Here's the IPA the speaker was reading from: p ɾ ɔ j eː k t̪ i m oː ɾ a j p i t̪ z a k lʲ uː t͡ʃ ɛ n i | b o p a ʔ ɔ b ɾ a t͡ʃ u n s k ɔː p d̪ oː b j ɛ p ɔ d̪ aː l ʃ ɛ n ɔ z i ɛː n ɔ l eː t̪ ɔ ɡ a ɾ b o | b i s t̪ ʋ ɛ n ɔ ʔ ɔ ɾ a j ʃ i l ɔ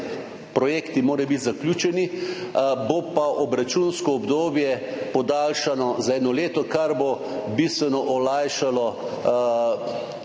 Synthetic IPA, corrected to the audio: p ɾ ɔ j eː k t̪ i m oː ɾ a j b i t̪ z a k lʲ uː t͡ʃ ɛ n i | b o p a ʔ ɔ b ɾ a t͡ʃ u n s k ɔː b d̪ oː b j ɛ p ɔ d̪ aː l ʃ a n ɔ z a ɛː n ɔ l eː t̪ ɔ k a ɾ b o | b i s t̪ ʋ ɛ n ɔ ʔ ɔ l a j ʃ a l ɔ

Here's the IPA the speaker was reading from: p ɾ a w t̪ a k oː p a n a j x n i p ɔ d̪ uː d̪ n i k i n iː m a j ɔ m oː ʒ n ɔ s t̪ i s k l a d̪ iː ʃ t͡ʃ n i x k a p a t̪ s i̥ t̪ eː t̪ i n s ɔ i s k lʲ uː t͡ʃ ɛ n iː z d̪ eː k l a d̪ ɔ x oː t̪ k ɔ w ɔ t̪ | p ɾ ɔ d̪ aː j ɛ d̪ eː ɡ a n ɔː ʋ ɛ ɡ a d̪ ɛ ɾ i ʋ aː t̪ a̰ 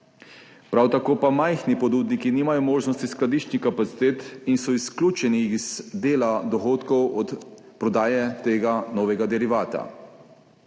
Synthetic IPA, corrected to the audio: p ɾ a w t̪ a k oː p a m a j x n i p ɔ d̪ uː d̪ n i k i n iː m a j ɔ m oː ʒ n ɔ s t̪ i s k l a d̪ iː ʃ t͡ʃ n i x k a p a t̪ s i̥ t̪ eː t̪ i n s ɔ i s k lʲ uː t͡ʃ ɛ n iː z d̪ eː l a d̪ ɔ x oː t̪ k ɔ w ɔ t̪ | p ɾ ɔ d̪ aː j ɛ t̪ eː ɡ a n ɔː ʋ ɛ ɡ a d̪ ɛ ɾ i ʋ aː t̪ a̰

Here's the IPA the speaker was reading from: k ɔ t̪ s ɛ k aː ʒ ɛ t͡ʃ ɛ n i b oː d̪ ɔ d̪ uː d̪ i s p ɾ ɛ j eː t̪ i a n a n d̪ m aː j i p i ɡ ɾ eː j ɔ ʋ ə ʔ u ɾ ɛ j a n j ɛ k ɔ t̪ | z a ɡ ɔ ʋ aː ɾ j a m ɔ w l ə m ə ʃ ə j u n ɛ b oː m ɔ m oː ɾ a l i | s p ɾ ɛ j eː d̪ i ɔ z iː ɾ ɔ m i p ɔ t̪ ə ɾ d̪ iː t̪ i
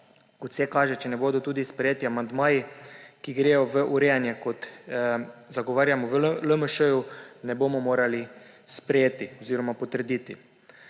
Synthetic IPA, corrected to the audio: k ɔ t̪ s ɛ k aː ʒ ɛ t͡ʃ ɛ n ɛ b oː d̪ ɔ t̪ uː d̪ i s p ɾ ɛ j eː t̪ i a m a n d̪ m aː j i k i ɡ ɾ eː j ɔ ʋ ə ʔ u ɾ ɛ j a n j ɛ k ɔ t̪ | z a ɡ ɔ ʋ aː ɾ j a m ɔ ʋ l ə m ə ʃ ə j u n ɛ b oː m ɔ m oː ɾ a l i | s p ɾ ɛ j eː t̪ i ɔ z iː ɾ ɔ m a p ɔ t̪ ə ɾ d̪ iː t̪ i

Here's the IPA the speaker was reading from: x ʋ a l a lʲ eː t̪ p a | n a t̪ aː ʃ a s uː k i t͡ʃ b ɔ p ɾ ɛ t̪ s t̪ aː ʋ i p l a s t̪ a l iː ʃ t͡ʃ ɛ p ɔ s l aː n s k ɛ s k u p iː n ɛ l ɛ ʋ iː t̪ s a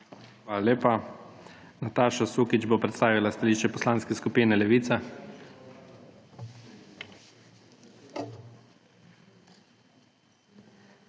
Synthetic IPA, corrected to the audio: x ʋ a l a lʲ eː p a | n a t̪ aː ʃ a s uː k i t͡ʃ b o p ɾ ɛ t̪ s t̪ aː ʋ i l a s t̪ a l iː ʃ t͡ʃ ɛ p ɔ s l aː n s k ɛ s k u p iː n ɛ l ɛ ʋ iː t̪ s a

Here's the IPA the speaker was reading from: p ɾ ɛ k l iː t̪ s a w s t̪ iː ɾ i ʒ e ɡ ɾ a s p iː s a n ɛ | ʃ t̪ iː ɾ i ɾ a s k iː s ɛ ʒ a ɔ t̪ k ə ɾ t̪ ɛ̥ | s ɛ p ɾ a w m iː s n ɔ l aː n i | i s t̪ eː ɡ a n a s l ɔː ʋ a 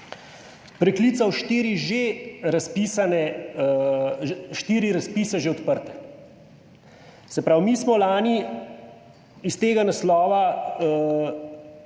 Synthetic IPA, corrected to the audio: p ɾ ɛ k l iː t̪ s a w ʃ t̪ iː ɾ i ʒ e ɾ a s p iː s a n ɛ | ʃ t̪ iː ɾ i ɾ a s p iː s ɛ ʒ e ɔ t̪ p ə ɾ t̪ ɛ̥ | s ɛ p ɾ a w m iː s m ɔ l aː n i | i s t̪ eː ɡ a n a s l ɔː ʋ a

